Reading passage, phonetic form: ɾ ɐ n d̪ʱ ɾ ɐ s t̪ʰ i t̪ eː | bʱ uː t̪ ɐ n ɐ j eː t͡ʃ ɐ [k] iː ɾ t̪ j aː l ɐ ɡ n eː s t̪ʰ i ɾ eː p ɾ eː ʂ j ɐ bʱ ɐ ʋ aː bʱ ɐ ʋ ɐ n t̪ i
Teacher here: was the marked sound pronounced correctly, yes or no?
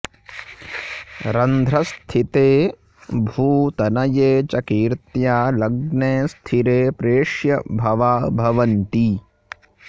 yes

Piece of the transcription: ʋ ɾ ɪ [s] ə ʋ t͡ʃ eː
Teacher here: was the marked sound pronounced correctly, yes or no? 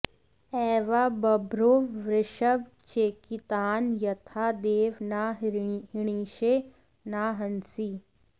no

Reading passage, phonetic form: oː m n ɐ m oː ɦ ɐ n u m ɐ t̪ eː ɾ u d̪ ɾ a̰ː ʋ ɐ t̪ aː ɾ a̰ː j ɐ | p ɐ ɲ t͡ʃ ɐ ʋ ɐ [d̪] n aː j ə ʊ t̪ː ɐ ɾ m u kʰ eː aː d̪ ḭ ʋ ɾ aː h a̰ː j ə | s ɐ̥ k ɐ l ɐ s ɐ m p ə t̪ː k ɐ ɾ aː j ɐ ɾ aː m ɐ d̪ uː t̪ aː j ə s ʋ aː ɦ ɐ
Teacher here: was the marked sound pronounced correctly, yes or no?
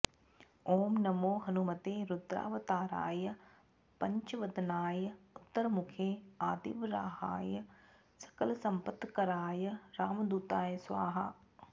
yes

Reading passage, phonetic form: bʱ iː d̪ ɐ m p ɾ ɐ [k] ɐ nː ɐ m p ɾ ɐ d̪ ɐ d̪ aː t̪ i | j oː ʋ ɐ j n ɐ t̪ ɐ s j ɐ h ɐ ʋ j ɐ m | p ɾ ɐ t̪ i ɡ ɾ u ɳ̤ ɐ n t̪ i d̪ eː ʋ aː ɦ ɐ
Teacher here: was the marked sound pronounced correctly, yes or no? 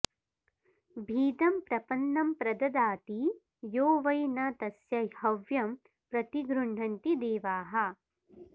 no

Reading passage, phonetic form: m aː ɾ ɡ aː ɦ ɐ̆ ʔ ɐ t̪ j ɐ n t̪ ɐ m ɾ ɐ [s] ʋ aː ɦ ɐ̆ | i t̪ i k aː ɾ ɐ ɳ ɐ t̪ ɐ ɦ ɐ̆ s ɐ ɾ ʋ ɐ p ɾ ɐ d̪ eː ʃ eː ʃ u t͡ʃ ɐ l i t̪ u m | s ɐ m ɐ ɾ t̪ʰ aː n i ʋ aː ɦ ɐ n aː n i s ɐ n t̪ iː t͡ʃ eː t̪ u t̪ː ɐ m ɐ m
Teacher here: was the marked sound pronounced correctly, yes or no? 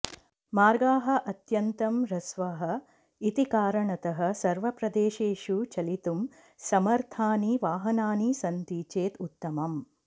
yes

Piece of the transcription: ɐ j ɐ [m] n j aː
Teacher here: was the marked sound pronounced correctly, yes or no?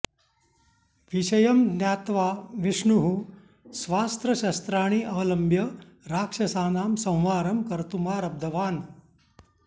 yes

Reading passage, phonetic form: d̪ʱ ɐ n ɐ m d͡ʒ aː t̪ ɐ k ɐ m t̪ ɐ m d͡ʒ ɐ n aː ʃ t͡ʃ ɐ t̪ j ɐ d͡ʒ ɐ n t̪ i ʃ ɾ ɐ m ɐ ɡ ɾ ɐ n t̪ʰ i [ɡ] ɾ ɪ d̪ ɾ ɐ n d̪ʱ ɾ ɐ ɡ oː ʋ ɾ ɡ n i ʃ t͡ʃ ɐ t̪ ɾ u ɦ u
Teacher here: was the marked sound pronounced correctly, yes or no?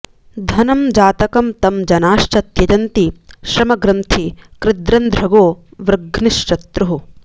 no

